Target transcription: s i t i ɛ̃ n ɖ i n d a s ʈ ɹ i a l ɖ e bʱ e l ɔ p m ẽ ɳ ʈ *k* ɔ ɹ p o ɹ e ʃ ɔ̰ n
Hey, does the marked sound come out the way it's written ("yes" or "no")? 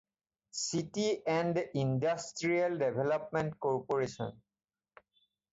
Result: yes